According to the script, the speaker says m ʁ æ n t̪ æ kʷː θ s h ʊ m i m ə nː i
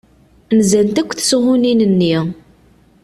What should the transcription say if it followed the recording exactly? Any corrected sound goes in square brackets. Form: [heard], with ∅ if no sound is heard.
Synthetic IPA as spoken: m [z] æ n t̪ æ kʷː θ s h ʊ [n] i [n] ə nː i